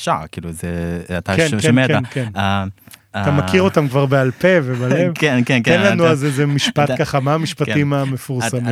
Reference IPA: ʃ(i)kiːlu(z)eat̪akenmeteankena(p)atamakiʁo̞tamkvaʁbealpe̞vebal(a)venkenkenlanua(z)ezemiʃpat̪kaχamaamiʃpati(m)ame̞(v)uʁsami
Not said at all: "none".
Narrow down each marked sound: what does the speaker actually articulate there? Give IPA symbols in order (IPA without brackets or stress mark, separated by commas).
a, z, none, e, z, m, f